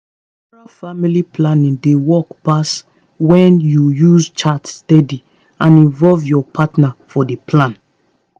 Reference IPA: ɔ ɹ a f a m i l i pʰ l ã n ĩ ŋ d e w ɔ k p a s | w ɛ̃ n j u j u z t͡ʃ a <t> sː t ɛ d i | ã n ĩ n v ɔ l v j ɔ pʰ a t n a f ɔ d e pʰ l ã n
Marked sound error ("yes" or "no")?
no